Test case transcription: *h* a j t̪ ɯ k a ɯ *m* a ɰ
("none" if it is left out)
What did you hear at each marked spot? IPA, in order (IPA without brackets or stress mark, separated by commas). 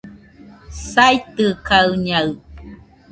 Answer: s, ɲ